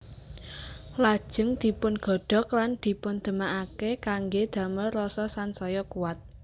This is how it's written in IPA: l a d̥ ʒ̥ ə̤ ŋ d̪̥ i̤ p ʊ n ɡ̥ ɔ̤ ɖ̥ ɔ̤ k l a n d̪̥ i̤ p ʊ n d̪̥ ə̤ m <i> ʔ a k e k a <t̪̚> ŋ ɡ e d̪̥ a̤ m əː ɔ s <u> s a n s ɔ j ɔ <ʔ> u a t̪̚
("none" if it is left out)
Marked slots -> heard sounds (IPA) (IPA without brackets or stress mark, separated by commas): a, none, ɔ, k